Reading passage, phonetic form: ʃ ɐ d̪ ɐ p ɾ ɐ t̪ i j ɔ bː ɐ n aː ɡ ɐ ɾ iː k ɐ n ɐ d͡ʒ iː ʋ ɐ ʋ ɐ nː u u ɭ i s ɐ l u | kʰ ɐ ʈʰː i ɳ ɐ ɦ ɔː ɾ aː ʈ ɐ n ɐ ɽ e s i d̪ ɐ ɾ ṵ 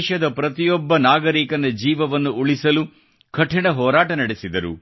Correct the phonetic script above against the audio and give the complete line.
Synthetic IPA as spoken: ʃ ɐ d̪ ɐ p ɾ ɐ t̪ i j ɔ bː ɐ n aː ɡ ɐ ɾ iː k ɐ n ɐ d͡ʒ iː ʋ ɐ ʋ ɐ nː u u ɭ i s ɐ l u | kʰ ɐ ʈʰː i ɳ ɐ ɦ ɔː ɾ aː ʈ ɐ n ɐ ɽ e s i d̪ ɐ ɾ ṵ